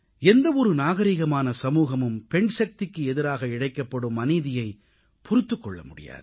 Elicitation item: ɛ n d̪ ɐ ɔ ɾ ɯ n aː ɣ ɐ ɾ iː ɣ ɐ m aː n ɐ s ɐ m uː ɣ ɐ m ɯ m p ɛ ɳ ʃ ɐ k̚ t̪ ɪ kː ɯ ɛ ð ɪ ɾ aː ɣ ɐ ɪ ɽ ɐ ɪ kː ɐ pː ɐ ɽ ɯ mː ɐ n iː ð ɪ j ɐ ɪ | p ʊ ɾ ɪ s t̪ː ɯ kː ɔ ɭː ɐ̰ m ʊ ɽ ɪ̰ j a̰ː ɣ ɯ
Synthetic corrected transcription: ɛ n d̪ ɐ ɔ ɾ ɯ n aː ɣ ɐ ɾ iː ɣ ɐ m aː n ɐ s ɐ m uː ɣ ɐ m ɯ m p ɛ ɳ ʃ ɐ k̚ t̪ ɪ kː ɯ ɛ ð ɪ ɾ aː ɣ ɐ ɪ ɽ ɐ ɪ kː ɐ pː ɐ ɽ ɯ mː ɐ n iː ð ɪ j ɐ ɪ | p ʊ ɾ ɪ t̪ː ɯ kː ɔ ɭː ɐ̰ m ʊ ɽ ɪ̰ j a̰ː ð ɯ